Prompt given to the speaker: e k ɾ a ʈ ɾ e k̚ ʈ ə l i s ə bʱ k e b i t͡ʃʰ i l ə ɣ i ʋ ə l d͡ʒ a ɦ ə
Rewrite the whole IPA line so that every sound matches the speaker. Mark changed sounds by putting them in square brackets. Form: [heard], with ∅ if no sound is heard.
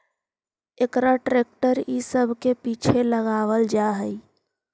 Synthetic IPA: e k ɾ a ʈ ɾ e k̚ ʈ ə [ɾ] i s ə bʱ k e [p] i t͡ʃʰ [e] l ə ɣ [a] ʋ ə l d͡ʒ a ɦ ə